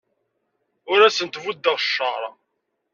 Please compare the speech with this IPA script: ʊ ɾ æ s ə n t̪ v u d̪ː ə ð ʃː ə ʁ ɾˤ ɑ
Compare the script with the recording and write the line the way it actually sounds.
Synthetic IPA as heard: ʊ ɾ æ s ə n t̪ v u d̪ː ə ʁ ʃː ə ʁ ɾˤ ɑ